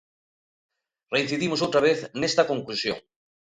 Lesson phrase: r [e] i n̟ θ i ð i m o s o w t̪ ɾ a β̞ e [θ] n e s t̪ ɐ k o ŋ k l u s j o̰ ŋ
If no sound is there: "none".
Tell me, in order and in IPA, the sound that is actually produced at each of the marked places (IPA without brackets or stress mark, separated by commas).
e, θ